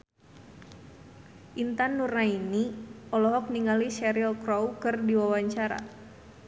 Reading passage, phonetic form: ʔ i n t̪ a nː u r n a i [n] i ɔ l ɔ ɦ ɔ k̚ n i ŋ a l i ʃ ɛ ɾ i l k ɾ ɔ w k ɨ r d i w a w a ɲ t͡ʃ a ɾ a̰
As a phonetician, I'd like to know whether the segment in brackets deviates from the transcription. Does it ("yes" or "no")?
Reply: no